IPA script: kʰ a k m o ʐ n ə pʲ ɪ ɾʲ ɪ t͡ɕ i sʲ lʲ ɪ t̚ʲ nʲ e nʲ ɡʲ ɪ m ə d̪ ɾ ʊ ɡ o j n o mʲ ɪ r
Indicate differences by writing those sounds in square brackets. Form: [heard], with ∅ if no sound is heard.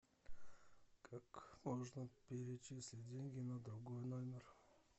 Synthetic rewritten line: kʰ a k m o ʐ n ə pʲ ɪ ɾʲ ɪ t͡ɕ i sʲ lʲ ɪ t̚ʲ [dʲ] e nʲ ɡʲ ɪ [n] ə d̪ ɾ ʊ ɡ o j n o mʲ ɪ r